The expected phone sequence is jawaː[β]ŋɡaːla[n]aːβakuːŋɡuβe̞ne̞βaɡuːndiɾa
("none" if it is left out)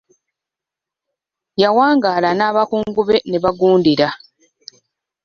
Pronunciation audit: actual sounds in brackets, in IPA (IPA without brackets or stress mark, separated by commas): none, n